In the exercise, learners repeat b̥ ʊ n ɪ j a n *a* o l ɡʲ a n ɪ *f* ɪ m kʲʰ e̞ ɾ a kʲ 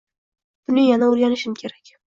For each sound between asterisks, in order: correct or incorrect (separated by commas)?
correct, incorrect